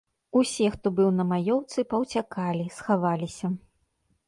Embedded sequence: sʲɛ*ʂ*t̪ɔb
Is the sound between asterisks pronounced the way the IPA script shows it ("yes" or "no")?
no